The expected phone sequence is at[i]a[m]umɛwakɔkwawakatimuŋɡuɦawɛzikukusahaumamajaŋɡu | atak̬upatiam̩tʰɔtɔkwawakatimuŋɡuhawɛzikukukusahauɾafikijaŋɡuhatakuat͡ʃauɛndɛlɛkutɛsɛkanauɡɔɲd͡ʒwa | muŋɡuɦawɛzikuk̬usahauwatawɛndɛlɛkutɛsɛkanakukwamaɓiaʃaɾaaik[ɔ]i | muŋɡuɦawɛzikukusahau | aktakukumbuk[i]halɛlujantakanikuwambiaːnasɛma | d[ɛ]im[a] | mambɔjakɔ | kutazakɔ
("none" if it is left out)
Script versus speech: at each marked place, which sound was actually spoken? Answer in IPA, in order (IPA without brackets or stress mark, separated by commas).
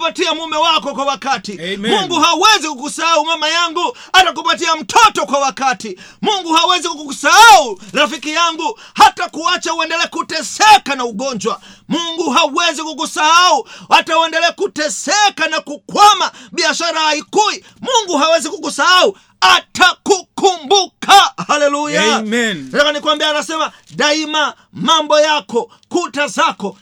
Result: i, m, u, a, a, a